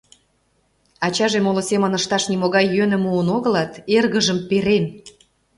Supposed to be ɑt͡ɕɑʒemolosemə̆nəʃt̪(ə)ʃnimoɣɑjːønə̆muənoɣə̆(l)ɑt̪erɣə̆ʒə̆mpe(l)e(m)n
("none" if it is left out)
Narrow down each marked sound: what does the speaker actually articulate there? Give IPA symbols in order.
ɑ, l, ɾ, none

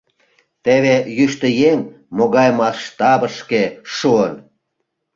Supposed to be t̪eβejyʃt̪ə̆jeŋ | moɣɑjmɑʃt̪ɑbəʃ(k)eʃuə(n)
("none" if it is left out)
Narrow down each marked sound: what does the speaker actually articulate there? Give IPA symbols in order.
k, n

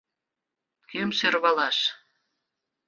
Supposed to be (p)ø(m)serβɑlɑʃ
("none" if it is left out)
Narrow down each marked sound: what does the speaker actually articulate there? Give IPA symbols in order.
k, m

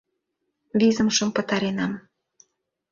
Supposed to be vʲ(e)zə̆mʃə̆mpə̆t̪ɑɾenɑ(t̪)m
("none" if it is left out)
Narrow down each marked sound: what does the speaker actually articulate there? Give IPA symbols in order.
i, none

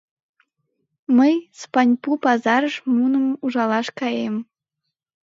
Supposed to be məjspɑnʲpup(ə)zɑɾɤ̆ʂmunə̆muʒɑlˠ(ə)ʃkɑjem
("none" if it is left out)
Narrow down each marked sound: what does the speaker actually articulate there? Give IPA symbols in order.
ɑ, ɑ

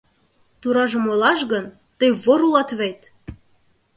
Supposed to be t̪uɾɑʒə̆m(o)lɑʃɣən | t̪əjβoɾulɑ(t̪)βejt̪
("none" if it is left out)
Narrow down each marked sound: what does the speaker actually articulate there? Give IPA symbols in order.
o, t̪

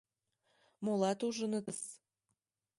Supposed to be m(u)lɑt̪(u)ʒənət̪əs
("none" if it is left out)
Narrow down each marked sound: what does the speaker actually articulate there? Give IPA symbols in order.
o, u

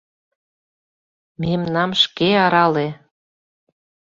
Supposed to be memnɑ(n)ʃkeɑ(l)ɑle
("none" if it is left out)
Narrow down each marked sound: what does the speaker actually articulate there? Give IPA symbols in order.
m, ɾ

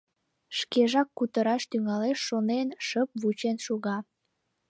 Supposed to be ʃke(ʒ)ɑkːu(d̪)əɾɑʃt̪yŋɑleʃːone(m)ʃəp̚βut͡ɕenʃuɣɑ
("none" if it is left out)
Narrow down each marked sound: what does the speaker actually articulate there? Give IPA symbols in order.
ʒ, t̪, n

